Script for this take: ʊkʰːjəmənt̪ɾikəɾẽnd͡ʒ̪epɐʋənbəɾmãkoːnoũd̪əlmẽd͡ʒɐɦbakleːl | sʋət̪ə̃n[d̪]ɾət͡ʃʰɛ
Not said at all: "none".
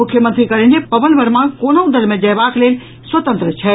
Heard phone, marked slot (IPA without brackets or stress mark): t̪